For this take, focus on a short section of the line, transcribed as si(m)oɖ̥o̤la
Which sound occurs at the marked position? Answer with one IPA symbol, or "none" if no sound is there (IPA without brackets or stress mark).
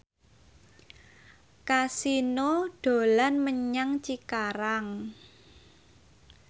n